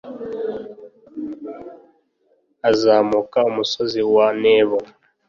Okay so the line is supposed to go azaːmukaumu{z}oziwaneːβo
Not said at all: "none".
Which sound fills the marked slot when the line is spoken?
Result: s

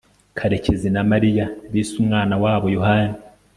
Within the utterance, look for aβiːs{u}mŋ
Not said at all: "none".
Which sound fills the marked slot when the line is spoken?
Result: u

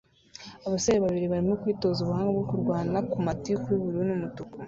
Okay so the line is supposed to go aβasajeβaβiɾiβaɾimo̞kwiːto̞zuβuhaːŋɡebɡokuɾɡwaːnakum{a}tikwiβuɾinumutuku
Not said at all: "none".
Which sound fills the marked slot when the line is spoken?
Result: a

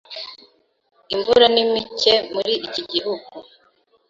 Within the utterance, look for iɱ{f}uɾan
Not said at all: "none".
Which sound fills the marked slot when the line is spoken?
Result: v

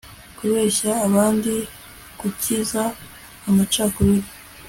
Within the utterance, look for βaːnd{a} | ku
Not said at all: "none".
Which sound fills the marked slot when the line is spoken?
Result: i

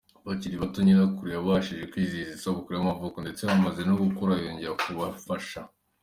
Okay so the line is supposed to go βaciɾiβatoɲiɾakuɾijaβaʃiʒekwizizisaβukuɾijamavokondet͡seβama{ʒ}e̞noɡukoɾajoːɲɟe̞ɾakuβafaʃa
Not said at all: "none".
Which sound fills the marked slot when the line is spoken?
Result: z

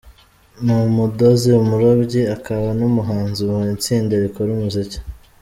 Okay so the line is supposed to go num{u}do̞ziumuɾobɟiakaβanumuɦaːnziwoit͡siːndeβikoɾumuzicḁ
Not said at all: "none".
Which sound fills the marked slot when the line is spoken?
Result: u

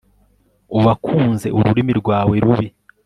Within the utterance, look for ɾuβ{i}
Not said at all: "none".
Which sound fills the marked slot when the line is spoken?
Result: i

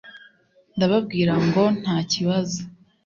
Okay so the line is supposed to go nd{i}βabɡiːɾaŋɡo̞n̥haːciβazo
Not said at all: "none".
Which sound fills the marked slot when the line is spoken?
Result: a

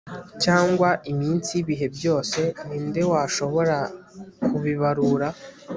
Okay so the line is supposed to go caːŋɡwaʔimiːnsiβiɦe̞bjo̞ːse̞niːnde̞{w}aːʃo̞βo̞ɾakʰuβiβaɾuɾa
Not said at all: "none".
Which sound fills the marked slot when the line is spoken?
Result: w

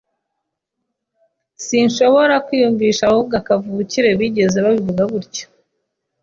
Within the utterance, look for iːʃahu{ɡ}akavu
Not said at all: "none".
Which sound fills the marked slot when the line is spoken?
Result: ɡ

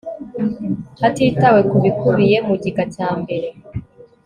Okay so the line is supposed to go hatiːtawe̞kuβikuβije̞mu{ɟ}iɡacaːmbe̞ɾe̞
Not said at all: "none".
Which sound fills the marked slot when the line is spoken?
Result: ɟ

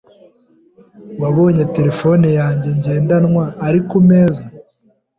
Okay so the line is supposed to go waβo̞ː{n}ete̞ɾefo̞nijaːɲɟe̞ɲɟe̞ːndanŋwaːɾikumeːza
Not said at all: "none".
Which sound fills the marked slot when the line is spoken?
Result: ɲ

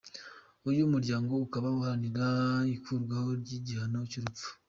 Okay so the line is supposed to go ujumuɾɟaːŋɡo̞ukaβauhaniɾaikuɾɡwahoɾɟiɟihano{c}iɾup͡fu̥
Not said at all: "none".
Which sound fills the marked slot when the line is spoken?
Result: c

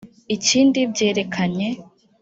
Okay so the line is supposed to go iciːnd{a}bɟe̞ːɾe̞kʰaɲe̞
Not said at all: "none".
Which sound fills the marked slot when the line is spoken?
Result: i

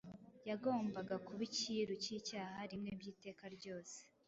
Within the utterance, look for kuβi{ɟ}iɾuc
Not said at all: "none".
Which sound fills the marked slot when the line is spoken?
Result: c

